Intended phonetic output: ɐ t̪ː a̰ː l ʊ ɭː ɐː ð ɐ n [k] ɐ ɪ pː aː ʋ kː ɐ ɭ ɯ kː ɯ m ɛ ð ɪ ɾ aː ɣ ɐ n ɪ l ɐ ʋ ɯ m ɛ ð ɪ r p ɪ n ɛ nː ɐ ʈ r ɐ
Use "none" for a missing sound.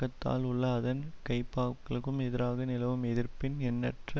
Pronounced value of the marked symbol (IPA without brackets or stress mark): k